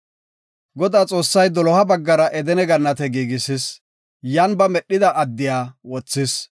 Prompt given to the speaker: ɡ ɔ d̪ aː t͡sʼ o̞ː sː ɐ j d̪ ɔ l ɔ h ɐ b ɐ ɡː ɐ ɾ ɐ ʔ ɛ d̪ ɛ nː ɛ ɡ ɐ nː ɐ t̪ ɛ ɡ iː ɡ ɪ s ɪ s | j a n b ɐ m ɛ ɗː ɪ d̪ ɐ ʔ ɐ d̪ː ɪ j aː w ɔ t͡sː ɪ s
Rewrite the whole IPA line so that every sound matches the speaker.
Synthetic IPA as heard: ɡ ɔ d̪ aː t͡sʼ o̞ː sː ɐ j d̪ ɔ l ɔ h ɐ b ɐ ɡː ɐ ɾ ɐ ʔ ɛ d̪ ɛ n ɛ ɡ ɐ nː ɐ t̪ ɛ ɡ iː ɡ ɪ s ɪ s | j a n b ɐ m ɛ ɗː ɪ d̪ ɐ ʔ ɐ d̪ː ɪ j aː w ɔ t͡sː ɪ s